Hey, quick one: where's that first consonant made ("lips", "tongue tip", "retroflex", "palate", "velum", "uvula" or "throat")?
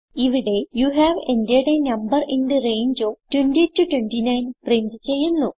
lips